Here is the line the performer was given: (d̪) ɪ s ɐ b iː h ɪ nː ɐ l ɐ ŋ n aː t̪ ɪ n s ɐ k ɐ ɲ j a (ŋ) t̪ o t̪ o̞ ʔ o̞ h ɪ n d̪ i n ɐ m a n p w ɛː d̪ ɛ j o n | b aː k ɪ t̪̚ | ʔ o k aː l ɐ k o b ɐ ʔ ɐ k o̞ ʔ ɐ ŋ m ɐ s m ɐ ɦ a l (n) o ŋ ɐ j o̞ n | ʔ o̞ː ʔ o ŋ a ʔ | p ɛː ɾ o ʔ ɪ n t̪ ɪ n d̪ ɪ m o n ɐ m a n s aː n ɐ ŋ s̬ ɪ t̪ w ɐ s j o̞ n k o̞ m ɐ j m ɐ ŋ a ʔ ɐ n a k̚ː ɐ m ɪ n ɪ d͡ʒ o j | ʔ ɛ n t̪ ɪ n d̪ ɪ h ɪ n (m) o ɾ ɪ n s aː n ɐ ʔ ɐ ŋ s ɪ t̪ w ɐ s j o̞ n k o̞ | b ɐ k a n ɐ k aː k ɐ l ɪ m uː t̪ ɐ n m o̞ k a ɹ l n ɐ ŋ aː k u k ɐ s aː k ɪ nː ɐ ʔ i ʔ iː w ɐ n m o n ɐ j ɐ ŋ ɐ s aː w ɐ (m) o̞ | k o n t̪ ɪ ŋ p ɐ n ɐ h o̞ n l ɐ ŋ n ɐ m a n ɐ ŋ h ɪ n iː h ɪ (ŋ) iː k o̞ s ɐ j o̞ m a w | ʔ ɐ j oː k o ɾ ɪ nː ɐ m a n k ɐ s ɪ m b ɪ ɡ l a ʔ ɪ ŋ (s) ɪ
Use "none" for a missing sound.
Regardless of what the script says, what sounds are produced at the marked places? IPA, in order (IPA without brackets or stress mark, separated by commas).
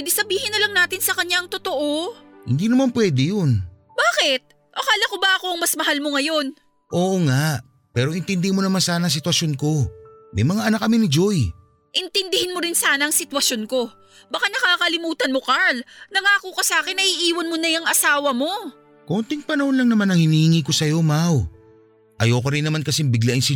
d̪, ŋ, m, m, m, ŋ, s